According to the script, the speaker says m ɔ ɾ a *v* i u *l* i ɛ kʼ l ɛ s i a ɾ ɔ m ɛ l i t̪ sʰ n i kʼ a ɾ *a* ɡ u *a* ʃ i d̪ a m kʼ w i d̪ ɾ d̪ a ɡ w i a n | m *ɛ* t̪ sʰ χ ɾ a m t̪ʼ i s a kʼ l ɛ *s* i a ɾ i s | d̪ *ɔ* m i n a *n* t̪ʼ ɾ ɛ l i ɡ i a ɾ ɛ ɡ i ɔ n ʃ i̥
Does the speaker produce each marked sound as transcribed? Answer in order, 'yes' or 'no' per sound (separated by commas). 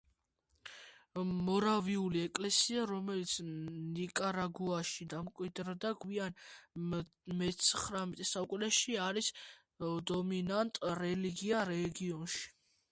yes, yes, yes, yes, yes, no, yes, yes